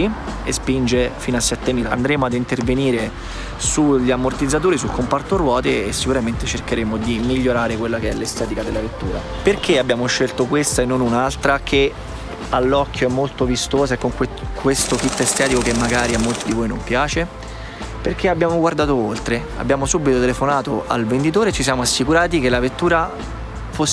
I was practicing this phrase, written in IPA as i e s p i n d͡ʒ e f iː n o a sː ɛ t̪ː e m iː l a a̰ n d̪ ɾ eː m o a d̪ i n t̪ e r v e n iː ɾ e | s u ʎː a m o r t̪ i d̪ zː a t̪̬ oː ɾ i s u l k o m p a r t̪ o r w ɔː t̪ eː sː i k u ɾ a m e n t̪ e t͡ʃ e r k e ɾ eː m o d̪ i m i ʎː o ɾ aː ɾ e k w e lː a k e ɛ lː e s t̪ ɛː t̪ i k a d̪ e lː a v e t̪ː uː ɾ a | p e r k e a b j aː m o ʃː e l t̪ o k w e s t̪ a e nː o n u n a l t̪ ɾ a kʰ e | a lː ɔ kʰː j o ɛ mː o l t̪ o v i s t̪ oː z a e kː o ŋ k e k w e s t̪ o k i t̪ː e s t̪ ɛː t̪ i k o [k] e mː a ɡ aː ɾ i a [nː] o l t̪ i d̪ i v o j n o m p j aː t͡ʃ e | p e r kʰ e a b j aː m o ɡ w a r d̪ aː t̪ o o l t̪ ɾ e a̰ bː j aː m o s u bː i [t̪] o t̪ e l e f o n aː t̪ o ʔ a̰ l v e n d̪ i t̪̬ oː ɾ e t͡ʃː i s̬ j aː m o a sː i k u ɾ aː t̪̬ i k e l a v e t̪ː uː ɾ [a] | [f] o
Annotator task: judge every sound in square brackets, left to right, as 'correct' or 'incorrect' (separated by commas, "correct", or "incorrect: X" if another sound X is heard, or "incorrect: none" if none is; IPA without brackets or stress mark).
correct, incorrect: mː, correct, correct, correct